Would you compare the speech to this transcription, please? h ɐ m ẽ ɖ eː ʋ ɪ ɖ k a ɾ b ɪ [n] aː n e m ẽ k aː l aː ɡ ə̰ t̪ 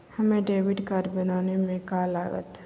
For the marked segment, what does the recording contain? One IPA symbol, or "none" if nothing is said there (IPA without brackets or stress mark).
n